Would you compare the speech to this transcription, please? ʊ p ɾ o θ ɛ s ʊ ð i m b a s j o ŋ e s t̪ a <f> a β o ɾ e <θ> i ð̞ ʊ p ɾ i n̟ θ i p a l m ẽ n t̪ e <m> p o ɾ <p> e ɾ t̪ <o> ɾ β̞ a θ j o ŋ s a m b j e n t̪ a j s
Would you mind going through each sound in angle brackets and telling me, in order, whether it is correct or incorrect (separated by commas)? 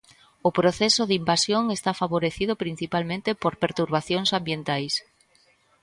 correct, correct, incorrect, correct, incorrect